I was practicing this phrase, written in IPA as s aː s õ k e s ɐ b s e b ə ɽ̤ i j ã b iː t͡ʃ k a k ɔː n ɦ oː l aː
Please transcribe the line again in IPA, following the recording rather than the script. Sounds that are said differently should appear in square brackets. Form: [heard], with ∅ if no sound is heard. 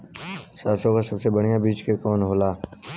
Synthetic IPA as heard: s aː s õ k [a] s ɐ b s e b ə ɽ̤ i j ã b iː t͡ʃ k [e] k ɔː n ɦ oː l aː